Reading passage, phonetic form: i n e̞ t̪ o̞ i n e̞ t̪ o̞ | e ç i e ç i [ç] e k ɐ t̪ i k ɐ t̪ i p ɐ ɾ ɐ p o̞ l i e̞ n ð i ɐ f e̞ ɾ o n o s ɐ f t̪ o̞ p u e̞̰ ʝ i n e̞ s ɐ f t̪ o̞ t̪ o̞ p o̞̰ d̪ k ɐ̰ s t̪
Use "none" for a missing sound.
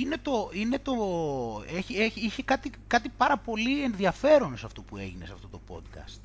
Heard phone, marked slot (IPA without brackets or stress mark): ç